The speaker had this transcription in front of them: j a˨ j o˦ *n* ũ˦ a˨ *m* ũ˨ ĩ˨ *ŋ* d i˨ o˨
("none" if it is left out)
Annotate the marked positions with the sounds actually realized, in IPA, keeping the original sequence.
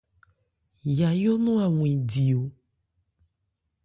n, ŋ, none

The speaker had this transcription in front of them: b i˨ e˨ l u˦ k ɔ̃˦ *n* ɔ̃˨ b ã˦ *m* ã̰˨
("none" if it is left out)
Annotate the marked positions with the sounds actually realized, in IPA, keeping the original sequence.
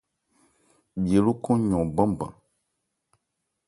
ɲ, b

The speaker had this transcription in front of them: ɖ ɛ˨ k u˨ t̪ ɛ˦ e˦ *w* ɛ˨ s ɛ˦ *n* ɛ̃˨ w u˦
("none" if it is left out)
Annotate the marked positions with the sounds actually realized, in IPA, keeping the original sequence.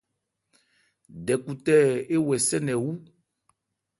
w, n

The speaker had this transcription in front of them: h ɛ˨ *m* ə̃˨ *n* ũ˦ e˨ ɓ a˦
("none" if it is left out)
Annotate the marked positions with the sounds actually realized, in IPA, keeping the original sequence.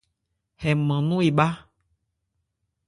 m, n

